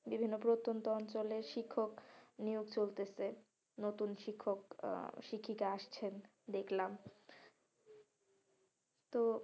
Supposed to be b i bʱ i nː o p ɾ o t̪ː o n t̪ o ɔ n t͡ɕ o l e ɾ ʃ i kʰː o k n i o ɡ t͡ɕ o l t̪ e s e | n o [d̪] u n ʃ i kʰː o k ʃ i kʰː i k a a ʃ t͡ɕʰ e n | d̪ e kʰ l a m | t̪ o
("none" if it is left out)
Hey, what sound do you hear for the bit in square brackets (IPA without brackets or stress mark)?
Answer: t̪